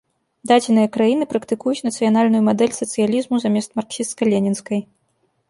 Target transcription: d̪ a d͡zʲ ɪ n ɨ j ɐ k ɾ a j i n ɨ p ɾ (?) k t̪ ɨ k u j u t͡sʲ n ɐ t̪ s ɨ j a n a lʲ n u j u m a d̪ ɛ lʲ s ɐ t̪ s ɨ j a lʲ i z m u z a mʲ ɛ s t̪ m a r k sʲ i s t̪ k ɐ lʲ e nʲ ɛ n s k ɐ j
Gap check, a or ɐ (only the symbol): ɐ